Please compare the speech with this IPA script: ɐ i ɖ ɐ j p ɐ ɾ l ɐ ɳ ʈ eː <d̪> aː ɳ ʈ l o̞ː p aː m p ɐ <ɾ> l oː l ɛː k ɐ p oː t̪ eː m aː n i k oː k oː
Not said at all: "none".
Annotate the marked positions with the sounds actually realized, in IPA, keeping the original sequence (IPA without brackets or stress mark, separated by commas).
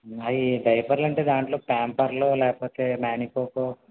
d̪, ɾ